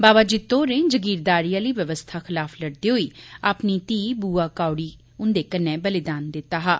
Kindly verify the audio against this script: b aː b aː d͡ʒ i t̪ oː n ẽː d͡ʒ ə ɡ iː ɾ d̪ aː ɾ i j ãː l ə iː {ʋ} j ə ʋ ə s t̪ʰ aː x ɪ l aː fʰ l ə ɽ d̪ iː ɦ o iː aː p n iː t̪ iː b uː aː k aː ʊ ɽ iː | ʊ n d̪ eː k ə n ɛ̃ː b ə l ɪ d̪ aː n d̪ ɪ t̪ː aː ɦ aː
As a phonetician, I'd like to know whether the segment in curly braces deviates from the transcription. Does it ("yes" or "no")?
no